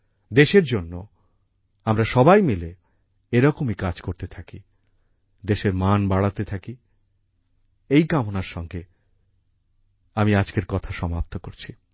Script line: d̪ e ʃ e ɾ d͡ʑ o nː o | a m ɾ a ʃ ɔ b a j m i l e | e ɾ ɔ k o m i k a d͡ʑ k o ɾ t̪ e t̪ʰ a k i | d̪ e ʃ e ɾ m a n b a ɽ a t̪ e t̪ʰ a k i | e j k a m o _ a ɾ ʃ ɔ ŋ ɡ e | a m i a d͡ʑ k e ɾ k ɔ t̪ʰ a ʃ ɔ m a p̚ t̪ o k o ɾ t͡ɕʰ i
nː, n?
n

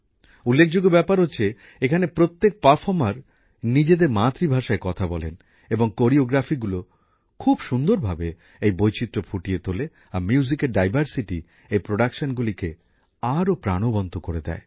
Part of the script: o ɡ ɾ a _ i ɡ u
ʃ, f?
f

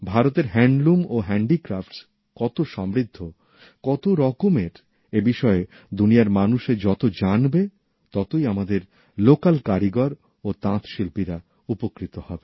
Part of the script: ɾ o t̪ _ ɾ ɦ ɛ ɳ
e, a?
e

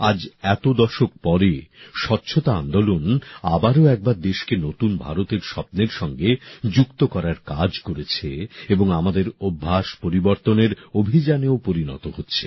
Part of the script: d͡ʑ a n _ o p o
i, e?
e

